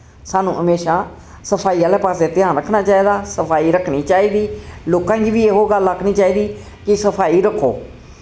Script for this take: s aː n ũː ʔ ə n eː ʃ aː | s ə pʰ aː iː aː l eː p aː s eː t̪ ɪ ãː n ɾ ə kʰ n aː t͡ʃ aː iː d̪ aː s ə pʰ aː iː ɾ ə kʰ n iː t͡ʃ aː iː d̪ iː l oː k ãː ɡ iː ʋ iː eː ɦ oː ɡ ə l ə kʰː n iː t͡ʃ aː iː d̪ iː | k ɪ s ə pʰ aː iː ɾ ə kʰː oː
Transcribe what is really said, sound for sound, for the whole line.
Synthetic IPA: s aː n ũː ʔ ə m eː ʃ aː | s ə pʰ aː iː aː l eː p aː s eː t̪ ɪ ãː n ɾ ə kʰ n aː t͡ʃ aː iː d̪ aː s ə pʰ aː iː ɾ ə kʰ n iː t͡ʃ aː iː d̪ iː l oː k ãː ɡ iː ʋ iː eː ɦ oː ɡ ə l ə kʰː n iː t͡ʃ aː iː d̪ iː | k ɪ s ə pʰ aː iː ɾ ə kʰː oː